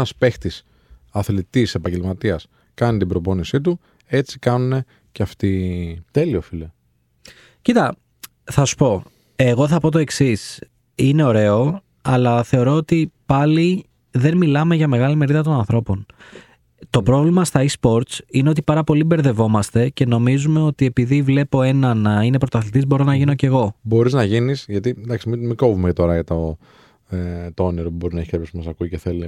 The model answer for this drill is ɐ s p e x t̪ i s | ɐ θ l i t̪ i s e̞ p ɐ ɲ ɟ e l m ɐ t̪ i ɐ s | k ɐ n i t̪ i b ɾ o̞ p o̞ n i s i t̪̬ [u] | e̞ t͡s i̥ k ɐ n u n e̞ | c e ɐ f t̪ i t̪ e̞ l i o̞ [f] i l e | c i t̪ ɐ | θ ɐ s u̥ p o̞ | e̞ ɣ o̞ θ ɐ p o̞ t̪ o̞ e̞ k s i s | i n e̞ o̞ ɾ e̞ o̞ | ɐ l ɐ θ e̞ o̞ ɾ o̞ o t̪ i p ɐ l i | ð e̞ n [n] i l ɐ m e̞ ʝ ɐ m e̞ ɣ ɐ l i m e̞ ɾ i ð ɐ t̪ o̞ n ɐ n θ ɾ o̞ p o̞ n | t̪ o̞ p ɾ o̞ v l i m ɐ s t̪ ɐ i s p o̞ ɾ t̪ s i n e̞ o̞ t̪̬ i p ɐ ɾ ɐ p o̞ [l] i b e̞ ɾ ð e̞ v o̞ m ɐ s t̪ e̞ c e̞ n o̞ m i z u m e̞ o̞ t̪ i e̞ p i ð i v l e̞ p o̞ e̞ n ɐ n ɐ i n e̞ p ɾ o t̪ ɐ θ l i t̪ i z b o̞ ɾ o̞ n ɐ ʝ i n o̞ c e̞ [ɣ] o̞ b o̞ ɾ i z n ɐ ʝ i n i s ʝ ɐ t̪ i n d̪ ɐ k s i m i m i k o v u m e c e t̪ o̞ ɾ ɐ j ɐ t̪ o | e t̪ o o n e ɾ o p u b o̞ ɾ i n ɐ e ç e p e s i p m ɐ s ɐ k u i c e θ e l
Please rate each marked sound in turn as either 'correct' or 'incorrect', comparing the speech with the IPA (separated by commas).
correct, correct, incorrect, correct, correct